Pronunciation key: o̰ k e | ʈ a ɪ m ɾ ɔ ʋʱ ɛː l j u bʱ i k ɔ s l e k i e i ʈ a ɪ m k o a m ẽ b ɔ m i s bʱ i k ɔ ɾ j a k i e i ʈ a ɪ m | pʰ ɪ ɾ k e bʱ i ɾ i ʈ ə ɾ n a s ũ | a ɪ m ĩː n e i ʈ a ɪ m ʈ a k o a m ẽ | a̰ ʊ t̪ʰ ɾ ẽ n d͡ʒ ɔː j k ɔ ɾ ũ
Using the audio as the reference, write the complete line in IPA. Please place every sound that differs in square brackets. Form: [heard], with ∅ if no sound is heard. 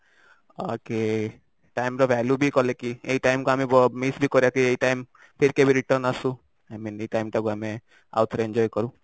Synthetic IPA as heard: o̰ k e | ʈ a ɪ m ɾ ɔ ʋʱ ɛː l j u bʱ i k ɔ [∅] l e k i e i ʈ a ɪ m k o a m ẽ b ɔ m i s bʱ i k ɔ ɾ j a k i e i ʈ a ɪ m | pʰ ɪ ɾ k e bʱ i ɾ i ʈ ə ɾ n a s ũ | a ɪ m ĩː n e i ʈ a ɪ m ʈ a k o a m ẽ | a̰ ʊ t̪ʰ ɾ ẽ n d͡ʒ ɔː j k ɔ ɾ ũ